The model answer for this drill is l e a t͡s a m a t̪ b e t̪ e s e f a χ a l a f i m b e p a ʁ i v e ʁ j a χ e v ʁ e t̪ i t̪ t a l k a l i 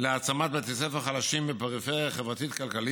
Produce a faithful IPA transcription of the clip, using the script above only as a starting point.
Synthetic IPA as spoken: l e a t͡s a m a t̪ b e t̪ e s e f a χ a l a ʃ i m b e p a ʁ i f e ʁ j a χ e v ʁ a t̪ i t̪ k a l k a l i